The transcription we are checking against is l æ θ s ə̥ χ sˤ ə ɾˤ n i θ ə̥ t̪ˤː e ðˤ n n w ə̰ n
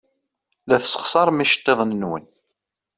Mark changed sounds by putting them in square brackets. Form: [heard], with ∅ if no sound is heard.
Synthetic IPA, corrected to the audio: l æ θ s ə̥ χ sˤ [ɑ] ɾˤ [m] i [ʃ] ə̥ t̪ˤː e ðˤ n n w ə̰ n